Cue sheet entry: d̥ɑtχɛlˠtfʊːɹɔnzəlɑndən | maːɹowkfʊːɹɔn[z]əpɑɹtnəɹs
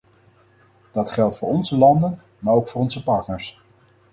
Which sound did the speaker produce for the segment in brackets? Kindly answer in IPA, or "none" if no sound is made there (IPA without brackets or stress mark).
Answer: z